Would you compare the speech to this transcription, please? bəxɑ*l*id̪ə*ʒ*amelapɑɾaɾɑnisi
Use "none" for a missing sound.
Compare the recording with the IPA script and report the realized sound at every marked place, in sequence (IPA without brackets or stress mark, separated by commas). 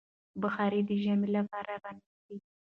ɾ, ʒ